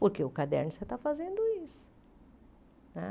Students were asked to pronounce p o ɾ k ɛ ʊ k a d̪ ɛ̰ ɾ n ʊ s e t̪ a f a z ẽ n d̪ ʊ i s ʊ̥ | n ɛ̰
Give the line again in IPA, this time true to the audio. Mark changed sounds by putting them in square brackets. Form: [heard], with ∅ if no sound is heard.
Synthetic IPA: p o ɾ k [e] ʊ k a d̪ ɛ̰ ɾ n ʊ s e t̪ a f a z ẽ n d̪ ʊ i s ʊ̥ | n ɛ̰